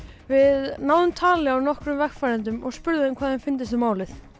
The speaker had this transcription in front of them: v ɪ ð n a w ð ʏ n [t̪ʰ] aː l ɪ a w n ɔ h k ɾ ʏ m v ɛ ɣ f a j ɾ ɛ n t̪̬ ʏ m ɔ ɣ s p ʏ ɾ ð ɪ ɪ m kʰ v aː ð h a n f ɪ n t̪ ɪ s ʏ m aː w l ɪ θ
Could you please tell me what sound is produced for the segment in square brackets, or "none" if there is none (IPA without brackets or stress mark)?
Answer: t̪ʰ